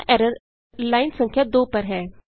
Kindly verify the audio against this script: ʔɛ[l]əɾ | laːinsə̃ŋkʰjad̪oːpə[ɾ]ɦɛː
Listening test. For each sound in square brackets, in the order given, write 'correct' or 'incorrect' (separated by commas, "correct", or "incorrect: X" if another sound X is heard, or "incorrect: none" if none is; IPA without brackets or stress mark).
incorrect: ɾ, correct